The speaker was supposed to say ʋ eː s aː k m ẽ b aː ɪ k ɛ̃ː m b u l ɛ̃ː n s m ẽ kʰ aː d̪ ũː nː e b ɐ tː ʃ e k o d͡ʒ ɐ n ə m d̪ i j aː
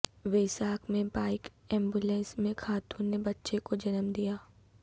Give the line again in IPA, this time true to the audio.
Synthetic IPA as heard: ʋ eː s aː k m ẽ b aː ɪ k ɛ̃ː m b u l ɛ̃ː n s m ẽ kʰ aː t̪ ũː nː e b ɐ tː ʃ e k o d͡ʒ ɐ n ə m d̪ i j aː